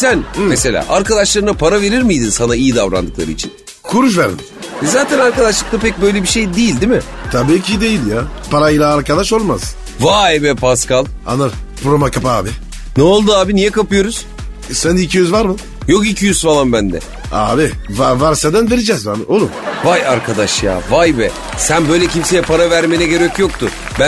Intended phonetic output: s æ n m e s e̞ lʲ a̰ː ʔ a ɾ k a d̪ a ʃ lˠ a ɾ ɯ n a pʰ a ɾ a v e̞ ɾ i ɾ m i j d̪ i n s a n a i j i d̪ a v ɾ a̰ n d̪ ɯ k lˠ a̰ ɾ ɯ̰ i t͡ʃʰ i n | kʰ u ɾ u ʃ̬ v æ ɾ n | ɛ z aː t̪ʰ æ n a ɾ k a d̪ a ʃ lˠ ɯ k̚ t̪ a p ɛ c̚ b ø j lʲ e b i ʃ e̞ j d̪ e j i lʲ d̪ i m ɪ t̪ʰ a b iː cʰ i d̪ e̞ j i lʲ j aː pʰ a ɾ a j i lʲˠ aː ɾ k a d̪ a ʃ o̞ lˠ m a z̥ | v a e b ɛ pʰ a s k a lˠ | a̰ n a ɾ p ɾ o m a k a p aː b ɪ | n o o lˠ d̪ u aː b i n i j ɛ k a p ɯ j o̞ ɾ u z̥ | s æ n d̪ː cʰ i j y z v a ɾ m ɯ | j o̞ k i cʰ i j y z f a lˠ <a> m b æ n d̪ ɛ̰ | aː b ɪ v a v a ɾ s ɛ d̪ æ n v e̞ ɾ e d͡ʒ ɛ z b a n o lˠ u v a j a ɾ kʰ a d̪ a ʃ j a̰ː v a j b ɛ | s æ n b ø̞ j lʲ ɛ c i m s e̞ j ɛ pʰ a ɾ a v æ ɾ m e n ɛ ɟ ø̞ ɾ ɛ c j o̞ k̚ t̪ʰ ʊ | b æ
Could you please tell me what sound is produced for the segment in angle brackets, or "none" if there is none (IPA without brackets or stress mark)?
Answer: a